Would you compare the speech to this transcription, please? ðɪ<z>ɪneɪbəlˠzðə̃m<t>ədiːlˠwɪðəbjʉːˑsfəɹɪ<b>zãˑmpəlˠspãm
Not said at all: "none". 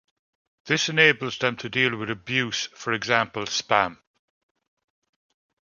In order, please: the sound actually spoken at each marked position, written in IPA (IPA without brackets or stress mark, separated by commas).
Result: s, tʰ, ɡ